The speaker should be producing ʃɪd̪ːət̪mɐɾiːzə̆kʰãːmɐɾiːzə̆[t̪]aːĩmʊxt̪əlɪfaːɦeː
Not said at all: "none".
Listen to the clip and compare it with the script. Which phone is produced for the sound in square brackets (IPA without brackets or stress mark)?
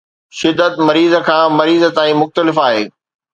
t̪